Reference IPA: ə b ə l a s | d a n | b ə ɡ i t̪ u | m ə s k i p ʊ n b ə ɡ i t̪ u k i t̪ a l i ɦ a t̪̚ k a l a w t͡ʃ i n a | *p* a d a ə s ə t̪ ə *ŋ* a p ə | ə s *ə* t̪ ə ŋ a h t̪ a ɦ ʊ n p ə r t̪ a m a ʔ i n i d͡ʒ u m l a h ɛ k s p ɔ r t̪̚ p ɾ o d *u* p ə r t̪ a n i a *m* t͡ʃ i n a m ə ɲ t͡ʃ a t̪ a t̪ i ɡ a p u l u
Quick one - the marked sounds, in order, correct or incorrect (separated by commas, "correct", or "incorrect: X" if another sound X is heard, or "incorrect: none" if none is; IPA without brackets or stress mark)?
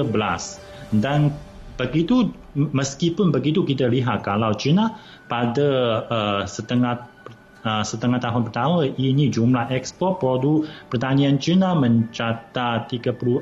correct, correct, correct, correct, incorrect: n